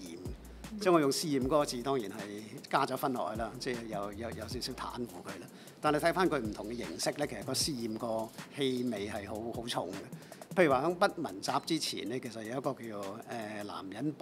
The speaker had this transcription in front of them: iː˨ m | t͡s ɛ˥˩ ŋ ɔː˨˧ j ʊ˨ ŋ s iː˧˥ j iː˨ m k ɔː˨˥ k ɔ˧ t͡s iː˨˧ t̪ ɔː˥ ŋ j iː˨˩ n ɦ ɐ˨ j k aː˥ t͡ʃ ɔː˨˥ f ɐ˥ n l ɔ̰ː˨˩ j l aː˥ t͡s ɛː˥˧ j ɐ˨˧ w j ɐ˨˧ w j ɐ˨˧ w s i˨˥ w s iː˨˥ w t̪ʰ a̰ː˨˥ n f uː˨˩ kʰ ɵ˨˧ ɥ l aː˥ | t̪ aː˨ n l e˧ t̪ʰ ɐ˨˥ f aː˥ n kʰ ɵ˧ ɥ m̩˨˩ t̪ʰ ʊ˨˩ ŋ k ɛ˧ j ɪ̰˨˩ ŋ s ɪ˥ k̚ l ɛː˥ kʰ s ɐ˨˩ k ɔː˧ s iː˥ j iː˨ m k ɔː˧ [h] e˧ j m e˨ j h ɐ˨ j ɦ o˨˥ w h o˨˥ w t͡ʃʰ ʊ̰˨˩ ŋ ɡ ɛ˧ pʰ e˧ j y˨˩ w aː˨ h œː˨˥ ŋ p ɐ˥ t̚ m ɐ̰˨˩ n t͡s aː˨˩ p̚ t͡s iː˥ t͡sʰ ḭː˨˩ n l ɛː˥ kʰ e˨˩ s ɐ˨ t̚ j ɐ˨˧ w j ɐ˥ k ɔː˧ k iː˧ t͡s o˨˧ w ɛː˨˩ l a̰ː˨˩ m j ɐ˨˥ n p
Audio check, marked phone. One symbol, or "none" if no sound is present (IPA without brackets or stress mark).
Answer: h